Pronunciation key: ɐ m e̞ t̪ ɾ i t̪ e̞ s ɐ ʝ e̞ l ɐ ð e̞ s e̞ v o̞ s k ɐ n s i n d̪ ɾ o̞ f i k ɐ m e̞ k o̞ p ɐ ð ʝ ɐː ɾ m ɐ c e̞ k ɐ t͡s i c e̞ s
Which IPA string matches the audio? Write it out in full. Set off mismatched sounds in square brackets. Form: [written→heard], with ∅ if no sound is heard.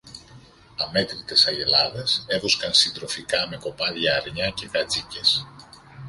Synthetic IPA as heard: ɐ m e̞ t̪ ɾ i t̪ e̞ s ɐ ʝ e̞ l ɐ ð e̞ s e̞ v o̞ s k ɐ n s i n d̪ ɾ o̞ f i k ɐ m e̞ k o̞ p ɐ ð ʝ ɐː ɾ [m→ɲ] ɐ c e̞ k ɐ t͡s i c e̞ s